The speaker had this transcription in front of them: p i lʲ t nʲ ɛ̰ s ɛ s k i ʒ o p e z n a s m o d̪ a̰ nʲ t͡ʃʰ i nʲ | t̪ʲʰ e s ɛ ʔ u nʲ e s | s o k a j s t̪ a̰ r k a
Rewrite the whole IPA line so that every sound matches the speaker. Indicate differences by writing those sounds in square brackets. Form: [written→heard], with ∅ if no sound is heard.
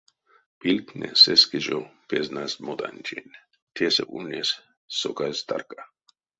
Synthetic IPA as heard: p i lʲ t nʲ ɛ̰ s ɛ s k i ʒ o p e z n a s m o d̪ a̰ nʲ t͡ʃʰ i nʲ | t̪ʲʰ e s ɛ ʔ u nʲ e s | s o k a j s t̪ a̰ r k a